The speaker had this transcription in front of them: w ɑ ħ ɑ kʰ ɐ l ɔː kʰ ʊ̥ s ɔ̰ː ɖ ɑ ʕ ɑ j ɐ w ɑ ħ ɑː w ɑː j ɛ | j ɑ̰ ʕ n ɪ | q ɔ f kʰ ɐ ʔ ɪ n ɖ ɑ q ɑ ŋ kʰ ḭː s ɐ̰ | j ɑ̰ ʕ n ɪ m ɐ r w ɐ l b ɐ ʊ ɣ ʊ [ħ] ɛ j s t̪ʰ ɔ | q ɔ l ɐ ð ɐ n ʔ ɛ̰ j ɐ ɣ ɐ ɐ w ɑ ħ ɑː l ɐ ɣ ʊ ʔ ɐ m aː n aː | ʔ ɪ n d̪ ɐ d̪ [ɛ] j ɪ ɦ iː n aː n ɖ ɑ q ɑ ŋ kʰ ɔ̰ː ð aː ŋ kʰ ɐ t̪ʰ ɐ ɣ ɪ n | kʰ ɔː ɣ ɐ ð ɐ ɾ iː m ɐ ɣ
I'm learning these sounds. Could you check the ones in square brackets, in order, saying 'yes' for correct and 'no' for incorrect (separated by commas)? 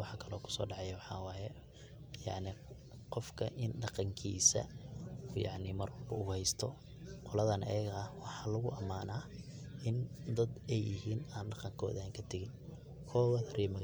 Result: no, yes